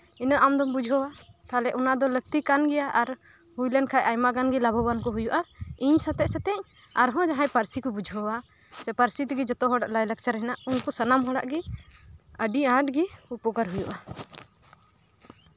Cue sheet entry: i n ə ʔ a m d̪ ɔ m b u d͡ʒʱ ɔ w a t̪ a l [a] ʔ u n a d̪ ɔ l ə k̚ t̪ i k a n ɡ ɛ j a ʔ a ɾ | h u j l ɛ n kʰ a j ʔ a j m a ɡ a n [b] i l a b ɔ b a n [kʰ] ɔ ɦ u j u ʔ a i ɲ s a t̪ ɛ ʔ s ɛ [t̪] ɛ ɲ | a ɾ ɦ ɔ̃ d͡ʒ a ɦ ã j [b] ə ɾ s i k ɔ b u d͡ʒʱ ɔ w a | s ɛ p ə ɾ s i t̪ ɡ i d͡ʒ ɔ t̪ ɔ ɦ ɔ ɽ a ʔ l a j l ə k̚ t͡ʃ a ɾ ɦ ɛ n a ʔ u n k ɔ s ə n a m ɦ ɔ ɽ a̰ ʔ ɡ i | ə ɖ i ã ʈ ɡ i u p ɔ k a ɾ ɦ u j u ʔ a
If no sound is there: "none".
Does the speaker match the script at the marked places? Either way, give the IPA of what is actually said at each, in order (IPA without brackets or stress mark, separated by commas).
ɛ, ɡ, k, t̪, p